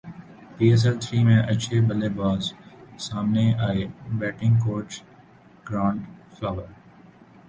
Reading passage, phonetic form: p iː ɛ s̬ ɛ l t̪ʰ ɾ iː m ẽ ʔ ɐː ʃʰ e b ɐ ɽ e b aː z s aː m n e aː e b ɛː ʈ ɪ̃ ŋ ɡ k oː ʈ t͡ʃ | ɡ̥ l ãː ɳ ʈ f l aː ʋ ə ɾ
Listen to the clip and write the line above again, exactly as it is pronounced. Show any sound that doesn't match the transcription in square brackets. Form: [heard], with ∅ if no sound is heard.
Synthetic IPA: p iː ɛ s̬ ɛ l t̪ʰ ɾ iː m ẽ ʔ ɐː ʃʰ e b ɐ [l] e b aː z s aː m n e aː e b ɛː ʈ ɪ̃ ŋ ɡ k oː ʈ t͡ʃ | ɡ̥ [ɾ] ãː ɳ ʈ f l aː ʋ ə ɾ